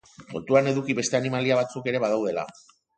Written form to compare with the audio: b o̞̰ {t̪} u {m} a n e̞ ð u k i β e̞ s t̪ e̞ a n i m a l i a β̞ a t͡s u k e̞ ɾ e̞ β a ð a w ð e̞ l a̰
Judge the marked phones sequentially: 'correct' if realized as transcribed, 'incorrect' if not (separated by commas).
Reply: correct, incorrect